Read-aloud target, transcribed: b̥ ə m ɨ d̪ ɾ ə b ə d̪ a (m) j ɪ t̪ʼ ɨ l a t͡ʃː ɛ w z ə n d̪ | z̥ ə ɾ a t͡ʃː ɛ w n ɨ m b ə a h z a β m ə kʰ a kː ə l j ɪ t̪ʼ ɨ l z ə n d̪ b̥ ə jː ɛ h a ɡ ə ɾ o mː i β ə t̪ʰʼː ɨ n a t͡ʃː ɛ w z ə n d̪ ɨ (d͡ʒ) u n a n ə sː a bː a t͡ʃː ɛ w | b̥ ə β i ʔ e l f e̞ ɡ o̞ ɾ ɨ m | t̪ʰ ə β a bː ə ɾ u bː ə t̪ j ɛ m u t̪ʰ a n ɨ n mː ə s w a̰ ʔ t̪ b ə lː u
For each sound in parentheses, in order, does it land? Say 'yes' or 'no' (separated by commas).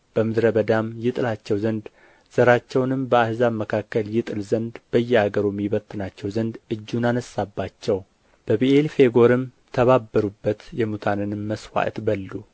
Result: yes, no